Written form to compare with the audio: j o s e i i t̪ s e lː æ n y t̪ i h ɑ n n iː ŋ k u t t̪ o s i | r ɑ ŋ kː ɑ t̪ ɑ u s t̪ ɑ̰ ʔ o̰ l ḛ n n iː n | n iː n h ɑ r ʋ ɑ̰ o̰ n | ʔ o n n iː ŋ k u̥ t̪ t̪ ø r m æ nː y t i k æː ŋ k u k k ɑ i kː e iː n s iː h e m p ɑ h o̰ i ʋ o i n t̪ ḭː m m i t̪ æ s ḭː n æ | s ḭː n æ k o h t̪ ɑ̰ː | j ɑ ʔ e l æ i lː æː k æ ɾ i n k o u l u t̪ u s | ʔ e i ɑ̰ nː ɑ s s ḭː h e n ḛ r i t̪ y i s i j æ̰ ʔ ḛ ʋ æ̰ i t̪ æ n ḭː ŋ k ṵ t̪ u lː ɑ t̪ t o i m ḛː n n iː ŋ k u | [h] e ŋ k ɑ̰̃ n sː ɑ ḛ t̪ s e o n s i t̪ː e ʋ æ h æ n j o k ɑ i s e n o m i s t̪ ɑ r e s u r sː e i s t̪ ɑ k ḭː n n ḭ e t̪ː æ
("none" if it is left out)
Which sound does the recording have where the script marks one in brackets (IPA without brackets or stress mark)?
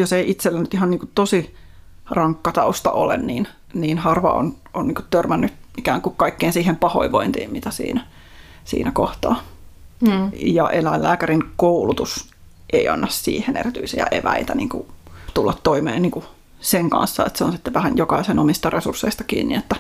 s